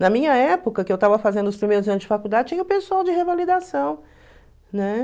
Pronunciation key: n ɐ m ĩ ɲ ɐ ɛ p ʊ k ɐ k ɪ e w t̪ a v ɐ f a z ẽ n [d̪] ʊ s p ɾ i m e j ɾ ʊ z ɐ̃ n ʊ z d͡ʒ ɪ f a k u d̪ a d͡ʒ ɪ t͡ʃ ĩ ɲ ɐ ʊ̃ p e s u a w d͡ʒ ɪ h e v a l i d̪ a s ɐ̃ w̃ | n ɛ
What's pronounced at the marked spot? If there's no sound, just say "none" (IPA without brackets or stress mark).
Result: d̪